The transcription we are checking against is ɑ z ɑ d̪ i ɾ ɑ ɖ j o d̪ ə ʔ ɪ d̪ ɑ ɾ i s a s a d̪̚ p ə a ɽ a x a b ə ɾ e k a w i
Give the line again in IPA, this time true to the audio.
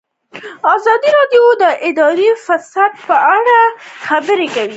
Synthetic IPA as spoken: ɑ z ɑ d̪ i ɾ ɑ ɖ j o d̪ ə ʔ ɪ d̪ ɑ ɾ i f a s a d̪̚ p ə a ɽ a x a b ə ɾ e k a w i